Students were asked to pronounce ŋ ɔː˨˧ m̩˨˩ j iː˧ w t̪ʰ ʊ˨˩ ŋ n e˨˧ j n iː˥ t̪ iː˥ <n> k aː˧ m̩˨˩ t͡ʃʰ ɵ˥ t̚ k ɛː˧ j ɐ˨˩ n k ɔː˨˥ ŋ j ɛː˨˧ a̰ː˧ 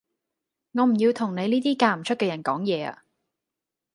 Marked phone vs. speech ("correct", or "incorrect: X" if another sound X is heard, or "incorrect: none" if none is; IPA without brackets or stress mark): incorrect: none